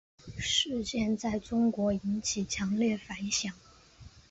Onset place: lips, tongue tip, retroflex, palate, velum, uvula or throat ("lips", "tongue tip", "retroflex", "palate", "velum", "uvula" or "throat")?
retroflex